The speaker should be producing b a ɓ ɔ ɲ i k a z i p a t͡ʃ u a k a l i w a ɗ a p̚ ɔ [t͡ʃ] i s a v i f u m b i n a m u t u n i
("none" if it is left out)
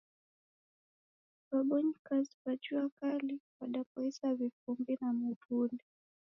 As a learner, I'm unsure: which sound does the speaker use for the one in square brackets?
none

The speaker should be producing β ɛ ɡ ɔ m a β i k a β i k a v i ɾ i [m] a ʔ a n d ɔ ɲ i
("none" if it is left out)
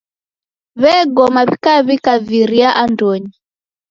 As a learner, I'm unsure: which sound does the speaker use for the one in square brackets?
none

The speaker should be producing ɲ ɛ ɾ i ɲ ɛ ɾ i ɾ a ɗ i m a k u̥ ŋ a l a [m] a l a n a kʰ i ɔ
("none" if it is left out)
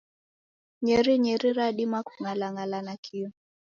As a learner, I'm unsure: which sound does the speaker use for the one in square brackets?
ŋ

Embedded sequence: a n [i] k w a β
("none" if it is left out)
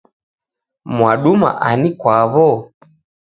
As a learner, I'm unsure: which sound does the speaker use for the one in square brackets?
i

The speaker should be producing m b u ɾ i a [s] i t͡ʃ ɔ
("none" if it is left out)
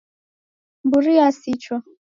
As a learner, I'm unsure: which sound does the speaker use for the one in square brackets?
s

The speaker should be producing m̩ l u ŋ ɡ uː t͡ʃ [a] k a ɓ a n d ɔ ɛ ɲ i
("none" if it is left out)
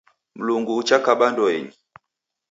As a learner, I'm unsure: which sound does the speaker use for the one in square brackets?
a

